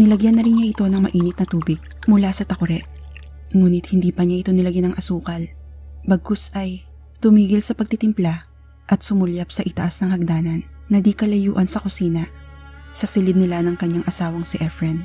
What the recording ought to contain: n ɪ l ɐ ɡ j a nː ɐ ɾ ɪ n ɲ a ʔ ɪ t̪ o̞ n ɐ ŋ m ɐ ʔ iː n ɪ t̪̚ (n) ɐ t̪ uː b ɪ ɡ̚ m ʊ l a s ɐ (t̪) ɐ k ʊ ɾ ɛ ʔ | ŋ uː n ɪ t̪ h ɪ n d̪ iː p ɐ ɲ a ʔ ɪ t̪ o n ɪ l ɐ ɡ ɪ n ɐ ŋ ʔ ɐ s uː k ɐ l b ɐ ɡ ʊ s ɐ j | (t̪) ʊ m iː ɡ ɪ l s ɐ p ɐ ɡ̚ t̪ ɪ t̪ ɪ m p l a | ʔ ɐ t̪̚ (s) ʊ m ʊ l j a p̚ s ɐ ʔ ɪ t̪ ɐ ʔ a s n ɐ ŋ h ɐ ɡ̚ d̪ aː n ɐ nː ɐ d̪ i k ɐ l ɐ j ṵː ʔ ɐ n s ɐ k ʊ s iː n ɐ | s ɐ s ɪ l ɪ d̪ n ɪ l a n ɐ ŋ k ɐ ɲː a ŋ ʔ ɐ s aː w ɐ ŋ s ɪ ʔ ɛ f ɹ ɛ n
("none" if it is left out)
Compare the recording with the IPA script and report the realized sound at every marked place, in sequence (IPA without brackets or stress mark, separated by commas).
n, t̪, t̪, s